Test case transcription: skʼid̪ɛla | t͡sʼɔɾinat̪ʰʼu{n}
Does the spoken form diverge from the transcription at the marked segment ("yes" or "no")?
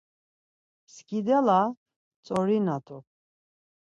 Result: yes